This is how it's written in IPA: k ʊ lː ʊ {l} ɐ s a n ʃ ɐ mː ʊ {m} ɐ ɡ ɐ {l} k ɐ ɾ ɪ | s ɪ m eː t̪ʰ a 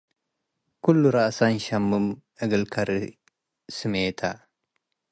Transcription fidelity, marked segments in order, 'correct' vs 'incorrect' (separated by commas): incorrect, correct, correct